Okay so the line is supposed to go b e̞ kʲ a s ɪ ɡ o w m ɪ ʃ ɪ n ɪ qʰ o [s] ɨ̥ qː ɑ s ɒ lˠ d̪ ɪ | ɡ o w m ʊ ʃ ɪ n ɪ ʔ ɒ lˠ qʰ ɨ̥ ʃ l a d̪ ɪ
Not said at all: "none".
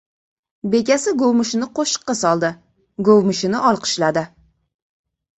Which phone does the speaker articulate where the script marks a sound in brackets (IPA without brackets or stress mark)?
ʃ